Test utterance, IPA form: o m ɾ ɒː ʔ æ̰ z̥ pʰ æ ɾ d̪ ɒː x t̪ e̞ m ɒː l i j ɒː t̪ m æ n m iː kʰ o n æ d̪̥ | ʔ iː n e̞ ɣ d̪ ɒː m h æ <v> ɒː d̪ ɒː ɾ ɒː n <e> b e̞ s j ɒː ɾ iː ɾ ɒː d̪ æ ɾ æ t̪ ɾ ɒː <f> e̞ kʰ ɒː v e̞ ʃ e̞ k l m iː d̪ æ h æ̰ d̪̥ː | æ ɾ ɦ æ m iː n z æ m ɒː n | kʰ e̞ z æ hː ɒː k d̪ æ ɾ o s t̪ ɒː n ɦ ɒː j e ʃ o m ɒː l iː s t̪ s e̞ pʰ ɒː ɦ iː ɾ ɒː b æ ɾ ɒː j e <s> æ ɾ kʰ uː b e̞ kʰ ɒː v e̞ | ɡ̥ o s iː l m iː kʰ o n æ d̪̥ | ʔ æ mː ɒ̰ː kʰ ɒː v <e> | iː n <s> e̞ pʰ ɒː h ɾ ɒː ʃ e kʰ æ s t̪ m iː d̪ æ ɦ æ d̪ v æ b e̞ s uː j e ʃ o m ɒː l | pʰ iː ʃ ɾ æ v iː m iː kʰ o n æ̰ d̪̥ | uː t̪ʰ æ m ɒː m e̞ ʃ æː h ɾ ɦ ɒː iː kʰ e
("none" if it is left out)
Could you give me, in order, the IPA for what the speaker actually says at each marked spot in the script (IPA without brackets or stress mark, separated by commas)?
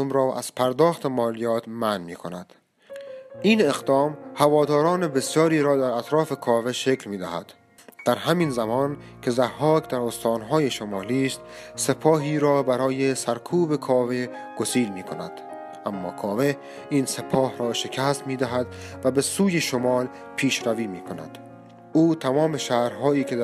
v, e, f, s, e, s